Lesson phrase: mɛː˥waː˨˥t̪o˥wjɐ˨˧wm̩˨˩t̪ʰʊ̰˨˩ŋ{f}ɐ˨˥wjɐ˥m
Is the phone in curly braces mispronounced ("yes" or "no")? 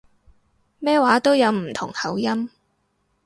yes